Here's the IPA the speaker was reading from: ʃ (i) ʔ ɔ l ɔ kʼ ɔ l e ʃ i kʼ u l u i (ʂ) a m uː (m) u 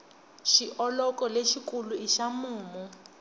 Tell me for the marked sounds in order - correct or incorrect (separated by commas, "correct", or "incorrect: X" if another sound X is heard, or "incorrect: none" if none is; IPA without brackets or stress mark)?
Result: correct, incorrect: ʃ, correct